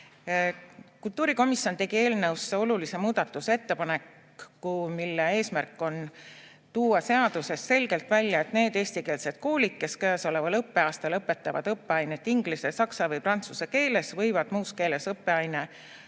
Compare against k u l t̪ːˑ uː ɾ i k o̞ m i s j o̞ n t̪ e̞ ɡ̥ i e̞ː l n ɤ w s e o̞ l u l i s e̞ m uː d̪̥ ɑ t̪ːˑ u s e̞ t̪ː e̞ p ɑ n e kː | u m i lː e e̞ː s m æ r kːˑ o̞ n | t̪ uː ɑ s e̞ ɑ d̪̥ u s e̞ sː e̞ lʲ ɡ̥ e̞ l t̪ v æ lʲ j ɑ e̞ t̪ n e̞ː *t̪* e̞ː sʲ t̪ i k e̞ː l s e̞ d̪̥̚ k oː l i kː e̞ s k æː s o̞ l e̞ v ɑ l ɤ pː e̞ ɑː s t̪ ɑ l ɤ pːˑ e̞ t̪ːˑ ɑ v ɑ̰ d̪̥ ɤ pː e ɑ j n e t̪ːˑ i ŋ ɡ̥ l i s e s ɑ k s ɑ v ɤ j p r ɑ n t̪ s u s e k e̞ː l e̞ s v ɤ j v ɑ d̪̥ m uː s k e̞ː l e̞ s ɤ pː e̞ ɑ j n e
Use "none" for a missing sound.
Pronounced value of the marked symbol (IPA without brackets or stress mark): d̪